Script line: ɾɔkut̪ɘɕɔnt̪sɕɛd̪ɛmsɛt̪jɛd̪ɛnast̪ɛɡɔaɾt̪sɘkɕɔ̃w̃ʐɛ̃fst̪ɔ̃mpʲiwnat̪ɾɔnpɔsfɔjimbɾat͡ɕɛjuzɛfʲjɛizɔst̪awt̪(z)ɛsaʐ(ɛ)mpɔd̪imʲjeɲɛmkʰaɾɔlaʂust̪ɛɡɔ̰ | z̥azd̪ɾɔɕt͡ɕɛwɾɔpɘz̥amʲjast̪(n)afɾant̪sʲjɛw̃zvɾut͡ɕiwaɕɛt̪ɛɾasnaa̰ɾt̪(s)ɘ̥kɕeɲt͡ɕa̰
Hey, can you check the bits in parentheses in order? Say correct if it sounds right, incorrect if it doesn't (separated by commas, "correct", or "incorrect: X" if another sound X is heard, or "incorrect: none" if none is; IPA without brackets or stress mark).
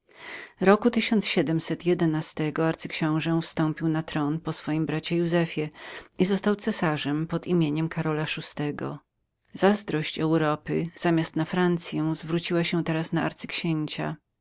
incorrect: s, correct, correct, correct